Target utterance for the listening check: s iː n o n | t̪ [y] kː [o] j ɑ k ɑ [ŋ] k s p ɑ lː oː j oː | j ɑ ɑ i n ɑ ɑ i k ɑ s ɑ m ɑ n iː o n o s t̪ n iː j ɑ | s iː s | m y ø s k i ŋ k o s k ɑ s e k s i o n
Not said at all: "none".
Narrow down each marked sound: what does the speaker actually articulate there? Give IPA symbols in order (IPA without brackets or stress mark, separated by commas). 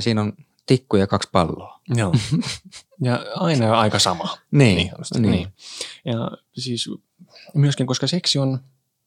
i, u, none